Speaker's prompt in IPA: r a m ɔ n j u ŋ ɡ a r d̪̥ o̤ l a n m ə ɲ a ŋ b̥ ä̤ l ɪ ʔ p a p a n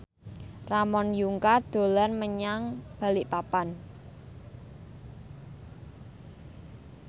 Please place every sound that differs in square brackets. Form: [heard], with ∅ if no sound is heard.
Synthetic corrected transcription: r a m ɔ n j u ŋ [k] a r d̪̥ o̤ l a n m ə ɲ a ŋ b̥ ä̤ l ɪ ʔ p a p a n